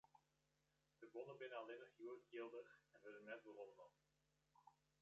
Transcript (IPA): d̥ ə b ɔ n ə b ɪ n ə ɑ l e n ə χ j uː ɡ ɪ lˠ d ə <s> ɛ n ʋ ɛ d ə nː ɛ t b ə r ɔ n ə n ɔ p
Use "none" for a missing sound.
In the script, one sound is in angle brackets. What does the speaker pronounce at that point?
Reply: χ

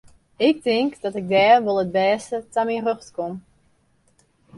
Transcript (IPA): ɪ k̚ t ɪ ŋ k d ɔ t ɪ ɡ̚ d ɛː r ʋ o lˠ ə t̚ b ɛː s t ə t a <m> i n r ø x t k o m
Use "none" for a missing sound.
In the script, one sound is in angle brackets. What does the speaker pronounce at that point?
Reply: m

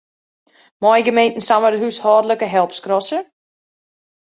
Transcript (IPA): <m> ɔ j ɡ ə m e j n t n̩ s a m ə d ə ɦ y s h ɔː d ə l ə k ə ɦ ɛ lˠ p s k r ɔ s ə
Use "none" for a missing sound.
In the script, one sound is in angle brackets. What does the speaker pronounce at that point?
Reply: m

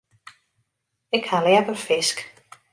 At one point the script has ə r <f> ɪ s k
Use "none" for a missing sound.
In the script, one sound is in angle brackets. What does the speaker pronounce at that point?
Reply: f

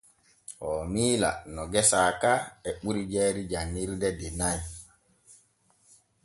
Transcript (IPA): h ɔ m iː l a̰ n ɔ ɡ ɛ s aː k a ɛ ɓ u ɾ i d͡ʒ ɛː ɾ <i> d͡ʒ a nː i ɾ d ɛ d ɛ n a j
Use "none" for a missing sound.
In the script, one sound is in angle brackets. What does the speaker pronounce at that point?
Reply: i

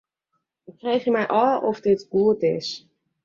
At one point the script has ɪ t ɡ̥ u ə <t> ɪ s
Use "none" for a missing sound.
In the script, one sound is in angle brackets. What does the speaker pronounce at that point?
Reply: t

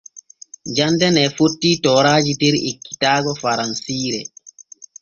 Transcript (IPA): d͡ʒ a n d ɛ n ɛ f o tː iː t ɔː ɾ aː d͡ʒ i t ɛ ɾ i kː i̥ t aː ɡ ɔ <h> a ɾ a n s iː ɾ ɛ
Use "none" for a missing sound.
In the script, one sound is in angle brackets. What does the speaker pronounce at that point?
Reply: f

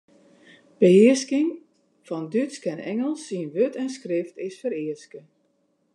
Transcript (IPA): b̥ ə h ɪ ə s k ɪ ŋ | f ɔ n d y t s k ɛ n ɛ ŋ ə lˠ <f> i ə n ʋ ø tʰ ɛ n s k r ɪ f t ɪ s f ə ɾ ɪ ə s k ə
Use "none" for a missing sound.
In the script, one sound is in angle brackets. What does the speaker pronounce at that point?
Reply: s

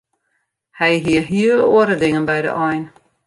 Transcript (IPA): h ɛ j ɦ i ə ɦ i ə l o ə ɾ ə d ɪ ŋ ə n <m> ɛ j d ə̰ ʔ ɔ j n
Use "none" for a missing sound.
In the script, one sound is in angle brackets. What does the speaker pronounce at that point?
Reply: b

